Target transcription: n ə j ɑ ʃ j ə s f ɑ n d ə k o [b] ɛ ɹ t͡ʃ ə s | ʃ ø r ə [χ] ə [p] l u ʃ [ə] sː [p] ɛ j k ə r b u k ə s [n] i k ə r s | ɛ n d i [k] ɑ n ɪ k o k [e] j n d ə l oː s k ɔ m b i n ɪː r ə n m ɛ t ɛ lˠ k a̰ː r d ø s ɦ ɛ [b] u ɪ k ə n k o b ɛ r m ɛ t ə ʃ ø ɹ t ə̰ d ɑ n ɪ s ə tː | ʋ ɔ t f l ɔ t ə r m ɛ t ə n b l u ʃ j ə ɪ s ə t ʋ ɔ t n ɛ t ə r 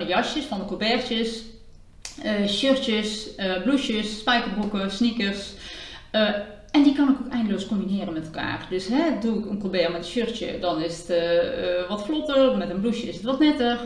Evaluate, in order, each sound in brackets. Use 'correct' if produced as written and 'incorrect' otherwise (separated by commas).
correct, incorrect, incorrect, correct, correct, correct, correct, incorrect, incorrect